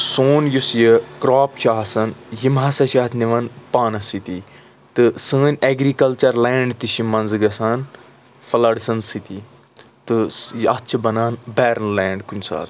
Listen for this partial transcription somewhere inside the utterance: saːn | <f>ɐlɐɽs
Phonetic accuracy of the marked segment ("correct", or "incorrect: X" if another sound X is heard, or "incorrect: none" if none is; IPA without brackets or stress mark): correct